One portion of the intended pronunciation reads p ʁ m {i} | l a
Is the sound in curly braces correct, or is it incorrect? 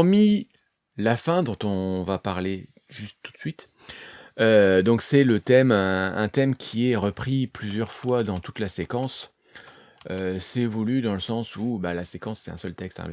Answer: correct